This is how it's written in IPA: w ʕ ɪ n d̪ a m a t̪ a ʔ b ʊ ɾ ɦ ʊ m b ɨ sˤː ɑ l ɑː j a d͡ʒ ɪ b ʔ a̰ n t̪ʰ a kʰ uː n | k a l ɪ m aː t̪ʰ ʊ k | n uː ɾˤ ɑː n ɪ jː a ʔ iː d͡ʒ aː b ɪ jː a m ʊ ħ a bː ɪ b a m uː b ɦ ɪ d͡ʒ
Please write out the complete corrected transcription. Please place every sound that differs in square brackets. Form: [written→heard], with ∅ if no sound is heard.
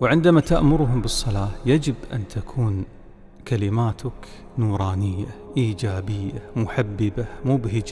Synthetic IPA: w ʕ ɪ n d̪ a m a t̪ a ʔ [b→m] ʊ ɾ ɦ ʊ m b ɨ sˤː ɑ l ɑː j a d͡ʒ ɪ b ʔ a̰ n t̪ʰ a kʰ uː n | k a l ɪ m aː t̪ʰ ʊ k | n uː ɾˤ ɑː n ɪ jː a ʔ iː d͡ʒ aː b ɪ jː a m ʊ ħ a bː ɪ b a m uː b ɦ ɪ d͡ʒ